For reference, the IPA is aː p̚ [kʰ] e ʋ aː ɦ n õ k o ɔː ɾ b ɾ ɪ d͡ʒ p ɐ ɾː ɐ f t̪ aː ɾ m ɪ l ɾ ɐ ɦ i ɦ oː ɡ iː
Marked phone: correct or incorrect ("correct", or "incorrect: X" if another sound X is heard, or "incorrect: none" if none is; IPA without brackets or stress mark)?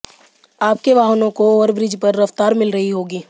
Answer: incorrect: k